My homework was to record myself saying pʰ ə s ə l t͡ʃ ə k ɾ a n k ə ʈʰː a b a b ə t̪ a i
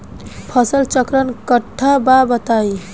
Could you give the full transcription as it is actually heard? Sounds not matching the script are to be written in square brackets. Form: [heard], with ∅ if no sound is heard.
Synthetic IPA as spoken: pʰ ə s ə l t͡ʃ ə k ɾ [ə] n k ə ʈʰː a b a b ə t̪ a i

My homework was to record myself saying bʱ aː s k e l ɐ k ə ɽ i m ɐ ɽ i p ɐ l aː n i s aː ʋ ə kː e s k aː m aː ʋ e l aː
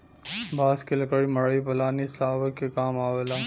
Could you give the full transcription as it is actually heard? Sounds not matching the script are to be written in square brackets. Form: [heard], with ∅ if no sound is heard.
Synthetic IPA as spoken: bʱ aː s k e l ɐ k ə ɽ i m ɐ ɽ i p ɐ l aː n i s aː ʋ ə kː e [∅] k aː m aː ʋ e l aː

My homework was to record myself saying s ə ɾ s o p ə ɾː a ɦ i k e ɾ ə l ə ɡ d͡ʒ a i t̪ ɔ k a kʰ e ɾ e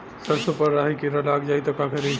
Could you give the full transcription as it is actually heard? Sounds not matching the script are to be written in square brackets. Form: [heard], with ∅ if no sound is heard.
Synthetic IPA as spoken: s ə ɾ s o p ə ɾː a ɦ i k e ɾ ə l [a] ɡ d͡ʒ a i t̪ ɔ k a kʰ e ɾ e

